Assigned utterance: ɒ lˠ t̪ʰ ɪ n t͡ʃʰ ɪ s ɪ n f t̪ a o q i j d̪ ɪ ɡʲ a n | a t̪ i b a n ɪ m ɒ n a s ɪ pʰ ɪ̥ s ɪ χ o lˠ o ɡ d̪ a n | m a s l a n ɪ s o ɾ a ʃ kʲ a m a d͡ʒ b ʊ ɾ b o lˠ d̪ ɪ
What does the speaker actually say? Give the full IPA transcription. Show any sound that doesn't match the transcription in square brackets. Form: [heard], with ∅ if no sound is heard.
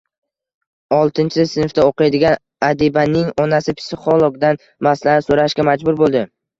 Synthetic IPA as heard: ɒ lˠ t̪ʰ ɪ n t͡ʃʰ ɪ s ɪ n f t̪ a o q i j d̪ ɪ ɡʲ a n | a [d̪] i b a n ɪ [ŋ] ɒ n a s ɪ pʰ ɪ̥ s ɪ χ o lˠ o ɡ d̪ a n | m a s l a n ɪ s o ɾ a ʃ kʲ a m a d͡ʒ b ʊ ɾ b o lˠ d̪ ɪ